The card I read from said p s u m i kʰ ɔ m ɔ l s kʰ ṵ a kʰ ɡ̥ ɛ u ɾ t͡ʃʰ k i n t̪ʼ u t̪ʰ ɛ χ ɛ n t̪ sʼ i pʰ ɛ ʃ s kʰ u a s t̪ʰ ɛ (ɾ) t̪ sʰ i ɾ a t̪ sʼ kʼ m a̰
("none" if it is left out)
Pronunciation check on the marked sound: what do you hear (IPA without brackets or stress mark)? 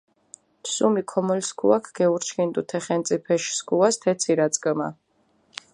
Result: none